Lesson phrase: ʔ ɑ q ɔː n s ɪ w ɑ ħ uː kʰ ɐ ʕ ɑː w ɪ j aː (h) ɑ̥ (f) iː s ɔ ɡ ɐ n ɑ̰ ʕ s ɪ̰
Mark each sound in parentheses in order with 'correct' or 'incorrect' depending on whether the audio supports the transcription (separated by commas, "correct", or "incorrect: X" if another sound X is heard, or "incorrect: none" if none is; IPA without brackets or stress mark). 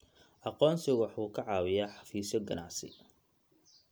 incorrect: ħ, correct